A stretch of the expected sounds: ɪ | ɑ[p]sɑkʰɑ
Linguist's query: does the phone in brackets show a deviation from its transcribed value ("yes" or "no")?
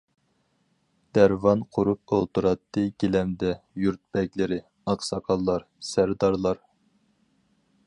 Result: yes